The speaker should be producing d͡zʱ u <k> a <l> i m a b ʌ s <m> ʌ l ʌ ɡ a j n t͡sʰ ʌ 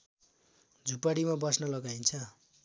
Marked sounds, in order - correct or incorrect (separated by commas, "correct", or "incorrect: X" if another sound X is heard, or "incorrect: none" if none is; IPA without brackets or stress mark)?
incorrect: p, incorrect: ɽ, incorrect: n